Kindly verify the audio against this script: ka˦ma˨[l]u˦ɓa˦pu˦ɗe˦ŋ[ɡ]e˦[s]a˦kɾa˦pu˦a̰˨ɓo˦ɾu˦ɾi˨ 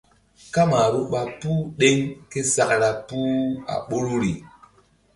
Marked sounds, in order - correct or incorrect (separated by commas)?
incorrect, incorrect, correct